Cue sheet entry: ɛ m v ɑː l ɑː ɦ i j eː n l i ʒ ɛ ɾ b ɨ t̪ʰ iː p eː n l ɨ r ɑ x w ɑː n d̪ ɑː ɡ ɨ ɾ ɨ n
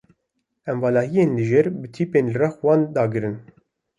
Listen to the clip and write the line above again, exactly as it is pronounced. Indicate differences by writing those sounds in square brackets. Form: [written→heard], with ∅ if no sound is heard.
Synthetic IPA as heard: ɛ m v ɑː l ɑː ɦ i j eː n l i ʒ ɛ ɾ b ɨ t̪ʰ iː p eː n l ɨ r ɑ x w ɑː n d̪ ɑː ɡ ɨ ɾ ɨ n